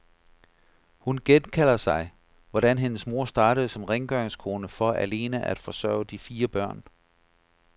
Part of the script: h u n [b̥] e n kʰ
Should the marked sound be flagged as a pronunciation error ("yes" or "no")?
yes